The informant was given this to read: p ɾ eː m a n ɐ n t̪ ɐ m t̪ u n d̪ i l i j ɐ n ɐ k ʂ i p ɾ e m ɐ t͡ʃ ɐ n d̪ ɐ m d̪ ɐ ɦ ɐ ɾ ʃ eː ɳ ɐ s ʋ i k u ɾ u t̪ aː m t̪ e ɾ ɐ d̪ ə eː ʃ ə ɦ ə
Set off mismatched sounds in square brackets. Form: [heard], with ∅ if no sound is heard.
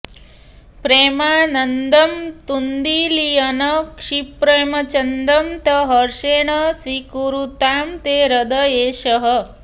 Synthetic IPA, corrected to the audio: p ɾ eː m a n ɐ n [d̪] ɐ m t̪ u n d̪ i l i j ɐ n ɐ k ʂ i p ɾ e m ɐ t͡ʃ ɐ n d̪ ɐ m [t̪] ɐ ɦ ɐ ɾ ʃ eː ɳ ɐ s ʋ i k u ɾ u t̪ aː m t̪ e ɾ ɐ d̪ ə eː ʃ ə ɦ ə